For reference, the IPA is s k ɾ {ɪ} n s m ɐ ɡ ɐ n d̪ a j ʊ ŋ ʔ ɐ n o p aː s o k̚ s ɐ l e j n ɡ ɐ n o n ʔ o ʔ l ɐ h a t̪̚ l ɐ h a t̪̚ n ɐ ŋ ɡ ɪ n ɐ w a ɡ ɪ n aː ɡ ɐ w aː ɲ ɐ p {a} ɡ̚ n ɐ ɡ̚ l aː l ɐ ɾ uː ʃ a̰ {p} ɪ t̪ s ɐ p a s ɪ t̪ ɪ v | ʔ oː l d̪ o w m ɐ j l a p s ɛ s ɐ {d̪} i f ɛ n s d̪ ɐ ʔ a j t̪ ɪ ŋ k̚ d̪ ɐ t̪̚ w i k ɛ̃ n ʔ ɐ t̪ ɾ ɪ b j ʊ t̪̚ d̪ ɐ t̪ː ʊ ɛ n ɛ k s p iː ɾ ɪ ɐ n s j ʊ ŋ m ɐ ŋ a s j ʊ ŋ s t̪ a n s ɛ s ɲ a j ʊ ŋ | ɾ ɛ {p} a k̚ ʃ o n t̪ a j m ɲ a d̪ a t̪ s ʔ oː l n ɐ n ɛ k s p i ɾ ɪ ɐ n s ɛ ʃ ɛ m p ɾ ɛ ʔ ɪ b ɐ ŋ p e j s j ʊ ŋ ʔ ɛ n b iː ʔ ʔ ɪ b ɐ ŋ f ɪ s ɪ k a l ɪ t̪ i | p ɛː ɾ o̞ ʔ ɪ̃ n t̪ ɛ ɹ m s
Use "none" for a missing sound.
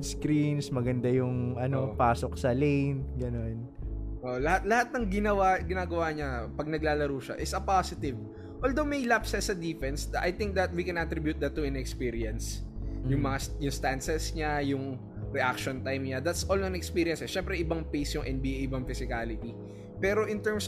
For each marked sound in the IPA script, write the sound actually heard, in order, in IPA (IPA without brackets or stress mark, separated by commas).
i, ɐ, ʔ, d̪, ʔ